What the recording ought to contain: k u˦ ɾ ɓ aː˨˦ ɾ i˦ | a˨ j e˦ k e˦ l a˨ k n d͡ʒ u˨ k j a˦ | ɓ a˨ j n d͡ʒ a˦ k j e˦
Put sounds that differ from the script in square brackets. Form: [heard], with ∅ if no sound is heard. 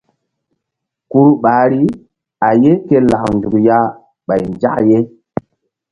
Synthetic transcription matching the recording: k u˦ ɾ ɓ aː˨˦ ɾ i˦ | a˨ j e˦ k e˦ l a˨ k n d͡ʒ u˨ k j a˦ | ɓ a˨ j n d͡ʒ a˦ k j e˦